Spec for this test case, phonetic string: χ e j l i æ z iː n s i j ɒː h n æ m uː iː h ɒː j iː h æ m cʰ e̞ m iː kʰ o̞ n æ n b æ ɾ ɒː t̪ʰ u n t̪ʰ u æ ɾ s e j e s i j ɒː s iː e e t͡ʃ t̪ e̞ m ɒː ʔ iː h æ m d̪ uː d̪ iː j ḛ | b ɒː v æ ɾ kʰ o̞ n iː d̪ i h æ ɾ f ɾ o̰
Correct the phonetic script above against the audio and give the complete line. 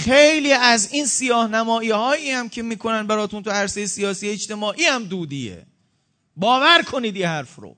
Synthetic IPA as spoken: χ e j l iː æ z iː n s i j ɒː h n æ m ɒː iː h ɒː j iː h æ m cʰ e̞ m iː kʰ o̞ n æ n b æ ɾ ɒː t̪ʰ u n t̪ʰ u æ ɾ s e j e s i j ɒː s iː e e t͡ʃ t̪ e̞ m ɒː ʔ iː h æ m d̪ uː d̪ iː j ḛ | b ɒː v æ ɾ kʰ o̞ n iː d̪ i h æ ɾ f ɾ o̰